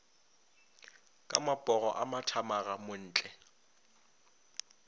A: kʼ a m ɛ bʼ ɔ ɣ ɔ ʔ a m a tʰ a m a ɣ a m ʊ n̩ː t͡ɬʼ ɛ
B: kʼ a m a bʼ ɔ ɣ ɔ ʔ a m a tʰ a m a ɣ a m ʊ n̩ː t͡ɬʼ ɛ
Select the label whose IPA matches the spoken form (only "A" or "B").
B